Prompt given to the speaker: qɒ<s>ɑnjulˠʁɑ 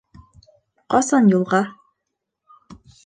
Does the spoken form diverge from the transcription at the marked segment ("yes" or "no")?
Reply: no